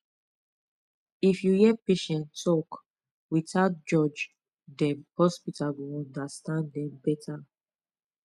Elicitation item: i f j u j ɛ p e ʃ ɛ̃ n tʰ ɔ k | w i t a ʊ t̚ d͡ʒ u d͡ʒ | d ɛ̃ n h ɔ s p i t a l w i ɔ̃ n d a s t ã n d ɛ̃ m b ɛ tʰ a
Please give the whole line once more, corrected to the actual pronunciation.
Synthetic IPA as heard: i f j u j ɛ p e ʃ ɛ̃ n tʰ ɔ k | w i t a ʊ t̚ d͡ʒ ɔ d͡ʒ | d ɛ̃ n h ɔ s p i t a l w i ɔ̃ n d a s t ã n d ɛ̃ m b ɛ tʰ a